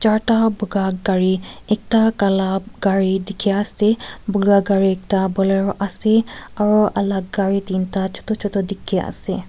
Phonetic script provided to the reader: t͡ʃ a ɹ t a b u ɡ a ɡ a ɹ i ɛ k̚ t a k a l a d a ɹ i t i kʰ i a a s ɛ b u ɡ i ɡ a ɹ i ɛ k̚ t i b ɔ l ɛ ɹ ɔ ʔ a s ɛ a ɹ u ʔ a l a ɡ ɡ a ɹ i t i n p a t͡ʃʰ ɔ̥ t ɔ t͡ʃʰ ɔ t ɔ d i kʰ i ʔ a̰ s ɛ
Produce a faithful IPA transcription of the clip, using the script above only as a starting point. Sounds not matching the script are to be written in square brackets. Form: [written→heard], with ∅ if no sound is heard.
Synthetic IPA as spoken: t͡ʃ a ɹ t a b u ɡ a ɡ a ɹ i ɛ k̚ t a k a l a [d→ɡ] a ɹ i [t→d] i kʰ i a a s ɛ b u ɡ [i→a] ɡ a ɹ i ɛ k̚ t [i→a] b ɔ l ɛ ɹ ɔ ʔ a s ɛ a ɹ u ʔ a l a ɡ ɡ a ɹ i t i n [p→t] a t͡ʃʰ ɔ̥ t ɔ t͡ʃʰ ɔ t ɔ d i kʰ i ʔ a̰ s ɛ